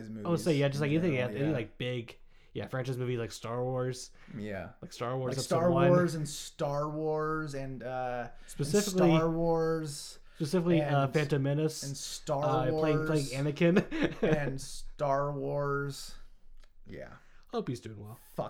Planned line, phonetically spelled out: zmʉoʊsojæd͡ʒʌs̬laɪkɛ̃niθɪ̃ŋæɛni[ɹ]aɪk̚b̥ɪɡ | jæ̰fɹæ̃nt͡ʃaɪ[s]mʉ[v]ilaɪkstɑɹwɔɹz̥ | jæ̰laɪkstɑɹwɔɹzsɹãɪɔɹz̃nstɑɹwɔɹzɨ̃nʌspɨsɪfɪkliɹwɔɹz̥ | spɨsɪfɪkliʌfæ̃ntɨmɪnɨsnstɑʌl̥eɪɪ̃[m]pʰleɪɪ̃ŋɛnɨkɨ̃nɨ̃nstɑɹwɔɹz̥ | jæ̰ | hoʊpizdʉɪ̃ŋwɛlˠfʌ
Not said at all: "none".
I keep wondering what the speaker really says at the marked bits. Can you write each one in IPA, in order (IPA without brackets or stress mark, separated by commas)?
l, z, v, ŋ